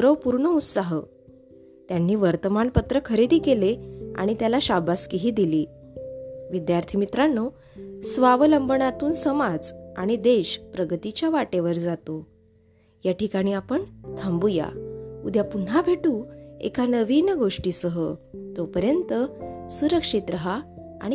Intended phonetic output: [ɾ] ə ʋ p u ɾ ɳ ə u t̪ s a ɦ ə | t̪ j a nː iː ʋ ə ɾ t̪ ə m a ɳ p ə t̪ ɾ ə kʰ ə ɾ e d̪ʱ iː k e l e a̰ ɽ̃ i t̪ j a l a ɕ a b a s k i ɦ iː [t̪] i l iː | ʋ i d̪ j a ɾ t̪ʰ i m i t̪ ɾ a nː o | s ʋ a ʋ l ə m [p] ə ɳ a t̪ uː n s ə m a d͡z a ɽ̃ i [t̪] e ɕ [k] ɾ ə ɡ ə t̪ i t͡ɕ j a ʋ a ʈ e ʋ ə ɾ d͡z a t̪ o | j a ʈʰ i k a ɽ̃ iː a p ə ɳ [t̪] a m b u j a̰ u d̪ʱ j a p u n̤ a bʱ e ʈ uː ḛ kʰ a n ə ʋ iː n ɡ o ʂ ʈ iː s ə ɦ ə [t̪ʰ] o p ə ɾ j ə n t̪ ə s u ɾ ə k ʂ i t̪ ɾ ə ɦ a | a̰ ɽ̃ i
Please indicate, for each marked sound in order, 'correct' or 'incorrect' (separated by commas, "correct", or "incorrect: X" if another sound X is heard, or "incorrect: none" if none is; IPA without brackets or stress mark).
correct, incorrect: d̪, incorrect: b, incorrect: d̪, incorrect: p, incorrect: t̪ʰ, incorrect: t̪